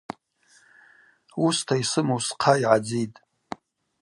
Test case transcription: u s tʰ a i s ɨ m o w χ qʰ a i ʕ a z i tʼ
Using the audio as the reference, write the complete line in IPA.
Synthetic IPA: u s tʰ a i s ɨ m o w s qʰ a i ʕ a d͡z i tʼ